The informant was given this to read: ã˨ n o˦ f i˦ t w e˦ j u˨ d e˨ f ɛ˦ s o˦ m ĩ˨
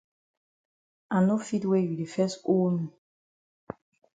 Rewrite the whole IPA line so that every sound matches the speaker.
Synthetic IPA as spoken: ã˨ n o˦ f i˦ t w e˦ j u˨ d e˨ f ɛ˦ s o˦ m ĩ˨